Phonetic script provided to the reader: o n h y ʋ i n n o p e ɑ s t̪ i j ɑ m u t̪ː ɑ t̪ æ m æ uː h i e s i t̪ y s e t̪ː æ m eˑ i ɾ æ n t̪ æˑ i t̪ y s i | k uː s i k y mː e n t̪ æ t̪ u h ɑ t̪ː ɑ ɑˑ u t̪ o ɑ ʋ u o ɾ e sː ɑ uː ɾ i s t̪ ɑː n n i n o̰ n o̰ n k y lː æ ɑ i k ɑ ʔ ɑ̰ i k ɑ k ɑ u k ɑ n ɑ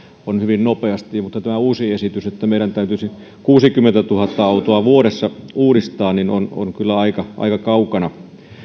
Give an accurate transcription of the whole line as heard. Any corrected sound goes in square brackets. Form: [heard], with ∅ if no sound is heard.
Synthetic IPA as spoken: o n h y ʋ i n n o p e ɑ s t̪ i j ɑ m u t̪ː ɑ t̪ æ m æ uː [s] i e s i t̪ y s e t̪ː æ m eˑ i ɾ æ n t̪ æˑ [y] t̪ y s i | k uː s i k y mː e n t̪ æ t̪ u h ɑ t̪ː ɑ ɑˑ u t̪ o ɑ ʋ u o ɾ e sː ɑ uː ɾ i s t̪ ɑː n n i n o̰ n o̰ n k y lː æ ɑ i k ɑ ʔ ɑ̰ i k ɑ k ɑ u k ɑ n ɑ